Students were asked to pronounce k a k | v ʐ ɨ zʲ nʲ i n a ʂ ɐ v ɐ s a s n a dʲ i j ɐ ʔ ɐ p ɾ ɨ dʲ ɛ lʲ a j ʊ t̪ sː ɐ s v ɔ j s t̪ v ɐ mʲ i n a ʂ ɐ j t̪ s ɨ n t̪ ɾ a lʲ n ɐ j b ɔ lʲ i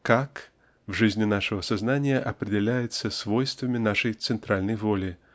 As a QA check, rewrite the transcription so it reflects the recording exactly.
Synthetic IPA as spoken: k a k | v ʐ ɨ zʲ nʲ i n a ʂ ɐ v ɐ s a z n a nʲ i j ɐ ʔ ɐ p ɾ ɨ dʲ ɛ lʲ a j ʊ t̪ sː ɐ s v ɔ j s t̪ v ɐ mʲ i n a ʂ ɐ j t̪ s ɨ n t̪ ɾ a lʲ n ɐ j v ɔ lʲ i